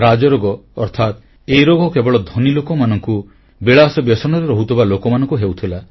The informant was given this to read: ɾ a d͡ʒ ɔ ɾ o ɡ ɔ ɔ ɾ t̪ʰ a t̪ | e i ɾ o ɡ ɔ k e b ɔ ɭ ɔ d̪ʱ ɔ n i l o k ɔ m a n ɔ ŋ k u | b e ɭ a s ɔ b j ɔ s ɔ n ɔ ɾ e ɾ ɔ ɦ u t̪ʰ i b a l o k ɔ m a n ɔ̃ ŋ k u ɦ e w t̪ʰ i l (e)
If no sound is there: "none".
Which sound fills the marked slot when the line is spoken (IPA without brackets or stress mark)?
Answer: a